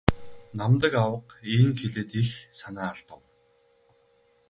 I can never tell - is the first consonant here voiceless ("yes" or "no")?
no